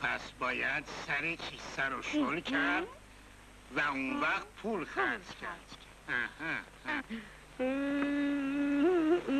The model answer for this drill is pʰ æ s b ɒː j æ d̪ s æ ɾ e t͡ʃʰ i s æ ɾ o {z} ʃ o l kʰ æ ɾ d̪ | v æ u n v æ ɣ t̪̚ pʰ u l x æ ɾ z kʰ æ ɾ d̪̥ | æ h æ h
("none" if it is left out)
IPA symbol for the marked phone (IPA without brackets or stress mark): none